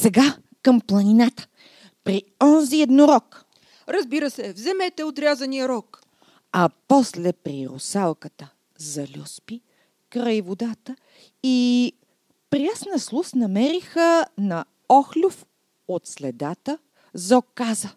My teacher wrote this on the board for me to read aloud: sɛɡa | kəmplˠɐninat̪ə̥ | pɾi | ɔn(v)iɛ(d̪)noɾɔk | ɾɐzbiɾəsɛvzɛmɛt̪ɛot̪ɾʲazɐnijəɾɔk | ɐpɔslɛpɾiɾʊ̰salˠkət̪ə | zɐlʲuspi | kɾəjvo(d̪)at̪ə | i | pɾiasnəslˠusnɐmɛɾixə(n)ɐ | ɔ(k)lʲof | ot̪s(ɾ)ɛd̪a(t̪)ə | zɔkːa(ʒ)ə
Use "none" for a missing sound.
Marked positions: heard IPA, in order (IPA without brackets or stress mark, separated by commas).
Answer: z, d̪, d̪, n, x, l, t̪, z